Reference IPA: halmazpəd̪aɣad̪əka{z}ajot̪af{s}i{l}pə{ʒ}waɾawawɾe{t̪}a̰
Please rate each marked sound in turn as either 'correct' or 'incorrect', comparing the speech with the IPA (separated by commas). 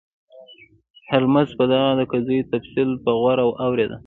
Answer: correct, correct, correct, incorrect, incorrect